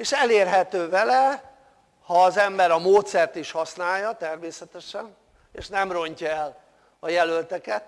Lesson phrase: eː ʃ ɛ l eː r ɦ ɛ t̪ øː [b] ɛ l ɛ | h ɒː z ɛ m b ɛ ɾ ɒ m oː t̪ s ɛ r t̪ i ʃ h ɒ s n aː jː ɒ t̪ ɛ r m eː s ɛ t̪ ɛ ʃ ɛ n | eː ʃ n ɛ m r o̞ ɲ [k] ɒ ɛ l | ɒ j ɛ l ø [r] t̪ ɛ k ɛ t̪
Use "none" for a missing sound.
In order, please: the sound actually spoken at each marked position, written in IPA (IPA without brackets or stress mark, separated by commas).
v, c, l